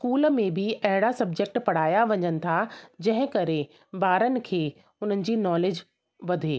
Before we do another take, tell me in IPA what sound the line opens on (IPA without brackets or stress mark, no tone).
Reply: s